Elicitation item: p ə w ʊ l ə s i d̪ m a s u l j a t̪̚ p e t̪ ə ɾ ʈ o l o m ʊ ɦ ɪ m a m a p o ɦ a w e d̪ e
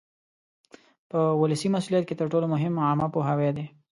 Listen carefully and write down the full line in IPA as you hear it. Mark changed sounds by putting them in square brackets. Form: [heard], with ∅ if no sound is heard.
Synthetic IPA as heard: p ə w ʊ l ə s i [∅] m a s u l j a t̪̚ [k] e t̪ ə ɾ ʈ o l o m ʊ ɦ ɪ m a m a p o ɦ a w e d̪ e